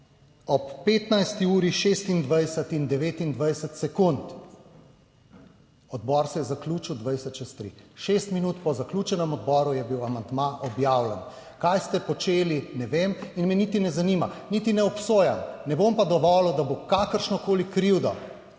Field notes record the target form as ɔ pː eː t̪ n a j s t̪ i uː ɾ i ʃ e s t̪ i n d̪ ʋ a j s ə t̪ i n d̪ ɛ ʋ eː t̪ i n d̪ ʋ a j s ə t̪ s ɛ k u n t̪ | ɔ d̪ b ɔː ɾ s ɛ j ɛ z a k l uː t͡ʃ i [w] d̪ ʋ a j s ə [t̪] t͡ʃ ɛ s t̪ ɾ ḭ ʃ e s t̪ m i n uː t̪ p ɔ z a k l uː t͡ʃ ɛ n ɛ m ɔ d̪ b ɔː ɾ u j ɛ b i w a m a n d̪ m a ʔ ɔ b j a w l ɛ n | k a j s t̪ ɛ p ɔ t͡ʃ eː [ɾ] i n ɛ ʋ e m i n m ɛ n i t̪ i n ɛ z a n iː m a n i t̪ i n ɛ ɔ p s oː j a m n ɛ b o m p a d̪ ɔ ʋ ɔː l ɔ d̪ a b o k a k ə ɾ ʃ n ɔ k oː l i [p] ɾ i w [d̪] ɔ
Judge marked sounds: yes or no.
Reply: yes, yes, no, no, yes

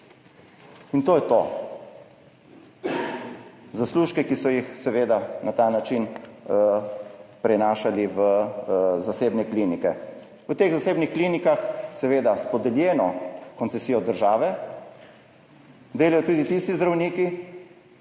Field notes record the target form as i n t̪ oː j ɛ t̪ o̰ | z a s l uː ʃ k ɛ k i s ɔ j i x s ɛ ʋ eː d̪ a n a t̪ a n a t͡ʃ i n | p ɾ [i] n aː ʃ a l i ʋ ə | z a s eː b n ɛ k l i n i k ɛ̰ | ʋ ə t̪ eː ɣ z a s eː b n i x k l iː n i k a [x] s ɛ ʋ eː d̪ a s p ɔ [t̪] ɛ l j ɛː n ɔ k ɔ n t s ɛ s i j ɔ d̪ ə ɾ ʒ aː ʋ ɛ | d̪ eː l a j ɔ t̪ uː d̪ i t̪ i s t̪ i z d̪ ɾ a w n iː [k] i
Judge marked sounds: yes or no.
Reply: no, yes, no, yes

